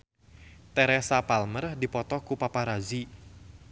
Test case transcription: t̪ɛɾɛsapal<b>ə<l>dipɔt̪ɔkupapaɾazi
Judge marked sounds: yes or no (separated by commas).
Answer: no, no